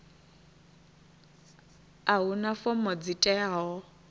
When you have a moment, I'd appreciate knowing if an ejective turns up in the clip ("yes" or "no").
yes